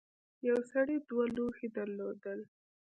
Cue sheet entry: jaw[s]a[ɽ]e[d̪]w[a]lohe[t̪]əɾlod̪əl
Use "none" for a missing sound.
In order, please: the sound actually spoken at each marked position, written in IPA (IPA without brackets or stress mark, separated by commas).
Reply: s, ɽ, d̪, a, d̪